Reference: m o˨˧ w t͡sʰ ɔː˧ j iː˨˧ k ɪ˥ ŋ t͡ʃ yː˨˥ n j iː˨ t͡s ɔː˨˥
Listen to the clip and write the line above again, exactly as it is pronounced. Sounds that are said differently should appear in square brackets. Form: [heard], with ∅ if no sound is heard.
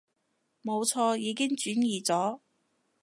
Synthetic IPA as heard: m o˨˧ w t͡sʰ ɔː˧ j iː˨˧ k ɪ˥ ŋ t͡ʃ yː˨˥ n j iː˨ t͡s ɔː˨˥